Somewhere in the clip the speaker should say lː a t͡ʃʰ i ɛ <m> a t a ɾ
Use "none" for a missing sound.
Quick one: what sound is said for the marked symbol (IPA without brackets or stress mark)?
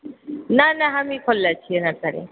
n